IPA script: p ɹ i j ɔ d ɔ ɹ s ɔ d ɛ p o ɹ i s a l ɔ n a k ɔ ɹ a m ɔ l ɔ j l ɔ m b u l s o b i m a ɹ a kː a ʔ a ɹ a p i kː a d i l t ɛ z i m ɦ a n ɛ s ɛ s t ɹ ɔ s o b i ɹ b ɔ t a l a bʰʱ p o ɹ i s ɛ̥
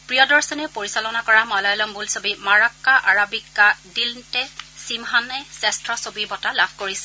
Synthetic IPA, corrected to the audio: p ɹ i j ɔ d ɔ ɹ s ɔ n ɛ p o ɹ i s a l ɔ n a k ɔ ɹ a m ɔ l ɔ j l ɔ m b u l s o b i m a ɹ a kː a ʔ a ɹ a b i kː a d i l t ɛ s i m ɦ a n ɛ s ɛ s t ɹ ɔ s o b i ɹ b ɔ t a l a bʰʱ k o ɹ i s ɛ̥